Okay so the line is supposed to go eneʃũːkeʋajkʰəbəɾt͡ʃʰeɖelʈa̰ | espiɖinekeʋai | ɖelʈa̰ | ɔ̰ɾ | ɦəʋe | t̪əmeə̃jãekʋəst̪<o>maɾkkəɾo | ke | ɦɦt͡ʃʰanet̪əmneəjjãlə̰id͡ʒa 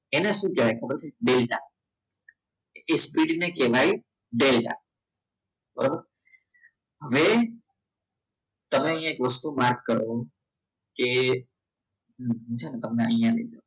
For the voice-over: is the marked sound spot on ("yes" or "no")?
no